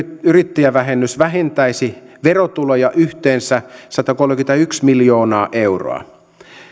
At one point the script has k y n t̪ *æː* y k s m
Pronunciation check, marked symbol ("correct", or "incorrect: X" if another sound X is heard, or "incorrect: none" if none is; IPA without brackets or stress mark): incorrect: æ